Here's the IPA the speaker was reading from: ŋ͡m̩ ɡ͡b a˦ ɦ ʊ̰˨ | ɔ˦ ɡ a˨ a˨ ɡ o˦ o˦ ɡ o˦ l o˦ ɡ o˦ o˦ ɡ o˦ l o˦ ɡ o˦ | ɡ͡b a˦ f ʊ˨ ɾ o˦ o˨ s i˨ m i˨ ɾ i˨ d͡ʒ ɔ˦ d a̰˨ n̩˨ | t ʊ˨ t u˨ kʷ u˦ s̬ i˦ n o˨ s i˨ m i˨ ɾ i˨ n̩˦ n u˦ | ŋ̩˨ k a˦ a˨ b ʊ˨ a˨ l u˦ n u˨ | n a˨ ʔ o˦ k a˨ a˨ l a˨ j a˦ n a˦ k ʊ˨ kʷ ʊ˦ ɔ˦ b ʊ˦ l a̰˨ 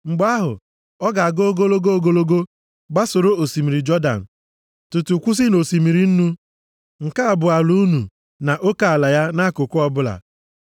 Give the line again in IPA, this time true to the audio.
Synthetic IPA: ŋ͡m̩ ɡ͡b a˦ ɦ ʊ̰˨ | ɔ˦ ɡ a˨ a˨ ɡ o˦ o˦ ɡ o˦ l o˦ ɡ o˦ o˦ ɡ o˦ l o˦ ɡ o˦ | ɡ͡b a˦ s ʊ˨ ɾ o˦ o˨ s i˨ m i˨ ɾ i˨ d͡ʒ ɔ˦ d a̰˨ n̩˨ | t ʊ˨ t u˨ kʷ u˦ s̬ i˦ n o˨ s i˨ m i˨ ɾ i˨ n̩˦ n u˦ | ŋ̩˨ k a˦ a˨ b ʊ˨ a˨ l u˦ n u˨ | n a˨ ʔ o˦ k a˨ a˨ l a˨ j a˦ n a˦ k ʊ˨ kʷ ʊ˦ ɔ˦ b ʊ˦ l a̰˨